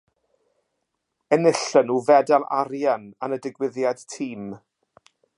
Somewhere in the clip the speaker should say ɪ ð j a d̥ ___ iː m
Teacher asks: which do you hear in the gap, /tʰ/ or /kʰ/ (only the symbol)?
tʰ